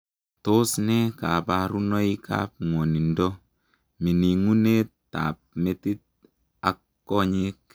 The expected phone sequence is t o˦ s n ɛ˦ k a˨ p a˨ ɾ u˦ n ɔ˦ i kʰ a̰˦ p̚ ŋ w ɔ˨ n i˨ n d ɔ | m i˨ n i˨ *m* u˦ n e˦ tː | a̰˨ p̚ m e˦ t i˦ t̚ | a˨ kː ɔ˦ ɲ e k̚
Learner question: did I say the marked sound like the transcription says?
no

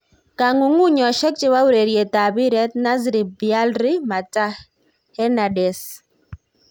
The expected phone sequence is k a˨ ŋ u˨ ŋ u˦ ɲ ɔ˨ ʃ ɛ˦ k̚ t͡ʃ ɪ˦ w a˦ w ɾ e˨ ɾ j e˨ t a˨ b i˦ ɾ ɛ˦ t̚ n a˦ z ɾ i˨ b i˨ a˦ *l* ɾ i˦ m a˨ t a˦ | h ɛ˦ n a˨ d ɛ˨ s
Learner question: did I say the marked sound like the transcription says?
yes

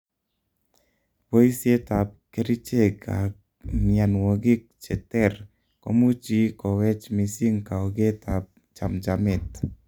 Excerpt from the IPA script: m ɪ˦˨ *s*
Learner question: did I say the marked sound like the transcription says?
no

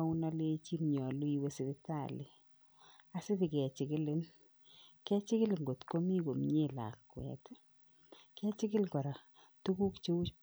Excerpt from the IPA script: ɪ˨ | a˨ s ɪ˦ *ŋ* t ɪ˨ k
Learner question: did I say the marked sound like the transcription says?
no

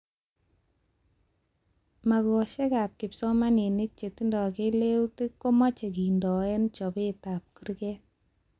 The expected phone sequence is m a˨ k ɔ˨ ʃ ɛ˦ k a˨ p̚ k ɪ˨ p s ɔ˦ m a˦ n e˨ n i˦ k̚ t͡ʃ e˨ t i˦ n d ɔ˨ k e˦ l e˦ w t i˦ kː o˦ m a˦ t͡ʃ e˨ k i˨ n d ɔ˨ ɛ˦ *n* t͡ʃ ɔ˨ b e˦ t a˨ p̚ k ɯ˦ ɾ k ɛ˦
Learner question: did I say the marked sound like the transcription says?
yes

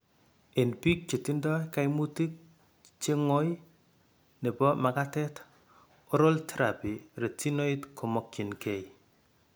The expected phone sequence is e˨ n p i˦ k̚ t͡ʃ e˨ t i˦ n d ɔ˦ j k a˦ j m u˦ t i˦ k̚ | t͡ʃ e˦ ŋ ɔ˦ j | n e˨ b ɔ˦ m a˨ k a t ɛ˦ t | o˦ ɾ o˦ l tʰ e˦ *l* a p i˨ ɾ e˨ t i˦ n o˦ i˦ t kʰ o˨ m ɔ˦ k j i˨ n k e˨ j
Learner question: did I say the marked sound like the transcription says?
no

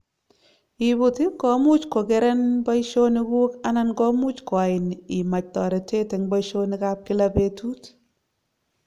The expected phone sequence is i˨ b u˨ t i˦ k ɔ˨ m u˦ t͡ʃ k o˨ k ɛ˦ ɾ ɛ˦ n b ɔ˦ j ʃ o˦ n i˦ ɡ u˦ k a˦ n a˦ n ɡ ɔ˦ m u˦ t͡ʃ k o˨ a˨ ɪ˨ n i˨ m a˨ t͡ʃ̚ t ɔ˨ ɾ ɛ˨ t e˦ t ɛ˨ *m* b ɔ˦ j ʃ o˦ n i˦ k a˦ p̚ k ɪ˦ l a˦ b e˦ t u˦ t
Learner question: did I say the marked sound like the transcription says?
no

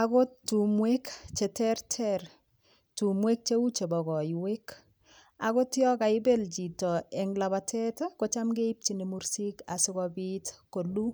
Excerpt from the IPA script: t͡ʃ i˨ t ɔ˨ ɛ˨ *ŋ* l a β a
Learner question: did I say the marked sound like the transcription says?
yes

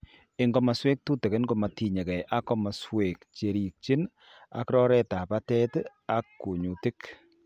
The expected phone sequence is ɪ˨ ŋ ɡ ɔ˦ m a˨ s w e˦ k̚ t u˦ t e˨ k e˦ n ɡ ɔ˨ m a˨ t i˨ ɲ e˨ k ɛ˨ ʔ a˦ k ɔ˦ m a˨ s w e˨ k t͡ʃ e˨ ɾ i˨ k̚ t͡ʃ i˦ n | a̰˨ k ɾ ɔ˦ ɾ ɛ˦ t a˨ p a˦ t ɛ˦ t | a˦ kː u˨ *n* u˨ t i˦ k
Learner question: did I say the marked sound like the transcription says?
no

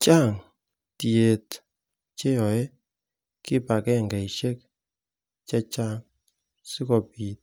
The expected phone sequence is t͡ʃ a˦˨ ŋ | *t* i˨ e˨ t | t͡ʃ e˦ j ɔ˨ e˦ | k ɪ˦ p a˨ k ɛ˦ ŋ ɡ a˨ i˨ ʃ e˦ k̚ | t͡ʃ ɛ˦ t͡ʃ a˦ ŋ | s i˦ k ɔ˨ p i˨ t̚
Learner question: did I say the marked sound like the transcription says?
yes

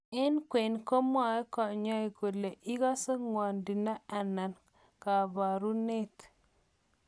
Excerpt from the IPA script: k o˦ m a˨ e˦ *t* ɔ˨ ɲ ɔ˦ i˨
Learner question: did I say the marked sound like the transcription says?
no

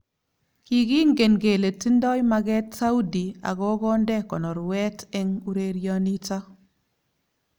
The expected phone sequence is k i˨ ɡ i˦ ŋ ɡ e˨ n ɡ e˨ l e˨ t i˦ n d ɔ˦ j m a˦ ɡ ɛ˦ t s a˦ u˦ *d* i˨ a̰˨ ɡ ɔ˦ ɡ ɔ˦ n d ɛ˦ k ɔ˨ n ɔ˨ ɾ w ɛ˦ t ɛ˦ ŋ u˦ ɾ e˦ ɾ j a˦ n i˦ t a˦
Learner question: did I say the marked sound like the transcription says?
yes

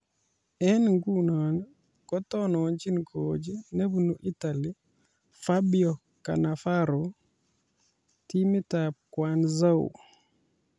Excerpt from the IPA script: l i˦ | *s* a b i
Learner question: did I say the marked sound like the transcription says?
no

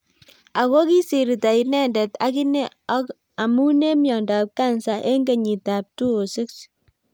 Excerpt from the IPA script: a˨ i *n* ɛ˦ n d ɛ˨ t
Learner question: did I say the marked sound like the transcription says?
yes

